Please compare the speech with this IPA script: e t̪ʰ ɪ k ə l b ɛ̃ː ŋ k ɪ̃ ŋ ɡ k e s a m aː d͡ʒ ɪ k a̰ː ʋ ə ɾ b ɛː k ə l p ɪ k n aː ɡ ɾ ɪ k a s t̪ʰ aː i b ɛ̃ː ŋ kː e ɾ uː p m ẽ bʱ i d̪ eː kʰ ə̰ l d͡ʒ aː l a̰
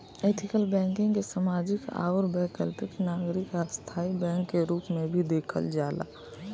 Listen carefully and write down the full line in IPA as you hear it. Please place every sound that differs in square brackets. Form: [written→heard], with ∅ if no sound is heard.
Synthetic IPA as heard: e t̪ʰ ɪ k ə l b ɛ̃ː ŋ k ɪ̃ ŋ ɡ k e s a m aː d͡ʒ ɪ k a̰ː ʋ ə ɾ b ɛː k ə l p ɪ k n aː ɡ ɾ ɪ k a s t̪ʰ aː i b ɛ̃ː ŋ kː e ɾ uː p m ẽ bʱ i d̪ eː kʰ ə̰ l d͡ʒ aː l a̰